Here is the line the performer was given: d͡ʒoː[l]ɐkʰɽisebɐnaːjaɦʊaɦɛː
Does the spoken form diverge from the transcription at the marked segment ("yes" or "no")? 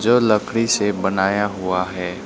no